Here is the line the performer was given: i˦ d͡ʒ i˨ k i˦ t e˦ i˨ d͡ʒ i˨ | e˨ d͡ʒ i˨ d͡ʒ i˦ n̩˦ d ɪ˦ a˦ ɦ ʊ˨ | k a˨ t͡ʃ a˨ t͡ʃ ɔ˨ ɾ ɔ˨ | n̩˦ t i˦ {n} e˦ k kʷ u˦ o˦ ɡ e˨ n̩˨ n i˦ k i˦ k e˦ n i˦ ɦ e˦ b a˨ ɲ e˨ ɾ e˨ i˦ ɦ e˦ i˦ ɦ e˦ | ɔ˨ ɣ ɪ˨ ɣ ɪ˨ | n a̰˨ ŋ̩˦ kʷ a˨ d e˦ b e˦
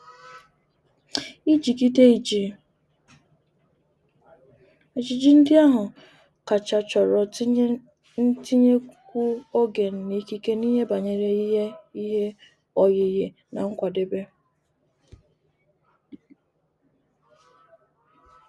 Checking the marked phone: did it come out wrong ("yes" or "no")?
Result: yes